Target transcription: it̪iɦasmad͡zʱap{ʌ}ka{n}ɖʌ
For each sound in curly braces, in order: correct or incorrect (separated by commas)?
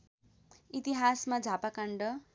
incorrect, incorrect